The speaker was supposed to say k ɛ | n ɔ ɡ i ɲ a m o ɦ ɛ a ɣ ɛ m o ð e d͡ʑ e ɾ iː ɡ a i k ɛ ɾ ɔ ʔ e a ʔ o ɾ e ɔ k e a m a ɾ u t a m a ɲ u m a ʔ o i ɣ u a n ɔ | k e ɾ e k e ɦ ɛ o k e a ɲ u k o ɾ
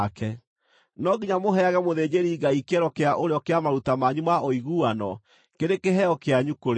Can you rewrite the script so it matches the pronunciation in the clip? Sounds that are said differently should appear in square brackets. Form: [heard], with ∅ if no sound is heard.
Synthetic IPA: k ɛ | n ɔ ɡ i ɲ a m o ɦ ɛ a ɣ ɛ m o ð e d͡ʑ e ɾ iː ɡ a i k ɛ ɾ ɔ [k] e a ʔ o ɾ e ɔ k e a m a ɾ u t a m a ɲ u m a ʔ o i ɣ u a n ɔ | k e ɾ e k e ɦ ɛ [ɔ] k e a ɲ u k o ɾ